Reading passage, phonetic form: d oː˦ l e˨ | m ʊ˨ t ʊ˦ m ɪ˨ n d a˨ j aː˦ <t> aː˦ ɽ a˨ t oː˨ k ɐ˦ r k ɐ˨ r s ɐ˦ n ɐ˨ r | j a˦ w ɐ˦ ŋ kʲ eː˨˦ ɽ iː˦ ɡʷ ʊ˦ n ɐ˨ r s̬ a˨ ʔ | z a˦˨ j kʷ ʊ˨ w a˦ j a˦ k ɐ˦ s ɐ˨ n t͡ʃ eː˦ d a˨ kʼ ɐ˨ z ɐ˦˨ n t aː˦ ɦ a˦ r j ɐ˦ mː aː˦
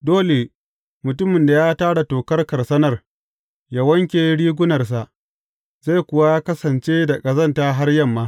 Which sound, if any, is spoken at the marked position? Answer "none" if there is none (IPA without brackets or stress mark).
t